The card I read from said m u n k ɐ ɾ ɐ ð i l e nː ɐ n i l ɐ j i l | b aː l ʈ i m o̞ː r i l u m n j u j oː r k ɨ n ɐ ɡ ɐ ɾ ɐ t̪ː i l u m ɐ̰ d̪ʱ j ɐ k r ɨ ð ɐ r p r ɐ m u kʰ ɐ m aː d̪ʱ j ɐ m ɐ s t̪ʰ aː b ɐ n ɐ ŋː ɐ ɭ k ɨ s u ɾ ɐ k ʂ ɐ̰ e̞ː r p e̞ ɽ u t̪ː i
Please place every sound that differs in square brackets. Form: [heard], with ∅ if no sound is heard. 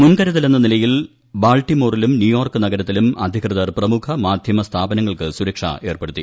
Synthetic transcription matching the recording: m u n k ɐ ɾ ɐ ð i l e nː ɐ n i l ɐ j i l | b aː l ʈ i m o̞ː r i l u m n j u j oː r k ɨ n ɐ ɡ ɐ ɾ ɐ t̪ː i l u m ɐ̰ d̪ʱ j ɐ k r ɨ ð ɐ r p r ɐ m u kʰ ɐ m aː d̪ʱ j ɐ m ɐ s t̪ʰ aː b ɐ n ɐ ŋː ɐ ɭ k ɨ s u ɾ ɐ k ʂ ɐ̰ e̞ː r p e̞ ɽ u t̪ː i